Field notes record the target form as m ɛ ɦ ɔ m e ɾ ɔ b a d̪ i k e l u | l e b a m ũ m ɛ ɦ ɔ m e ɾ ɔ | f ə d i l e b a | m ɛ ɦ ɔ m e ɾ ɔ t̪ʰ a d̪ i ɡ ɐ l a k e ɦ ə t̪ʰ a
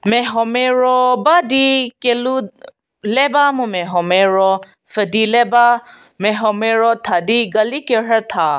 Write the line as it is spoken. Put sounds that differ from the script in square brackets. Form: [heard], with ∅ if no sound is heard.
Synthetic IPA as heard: m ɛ ɦ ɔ m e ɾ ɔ b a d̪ i k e l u | l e b a m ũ m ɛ ɦ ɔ m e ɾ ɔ | f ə d i l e b a | m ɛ ɦ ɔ m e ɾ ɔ t̪ʰ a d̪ i ɡ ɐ l [i] k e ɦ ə t̪ʰ a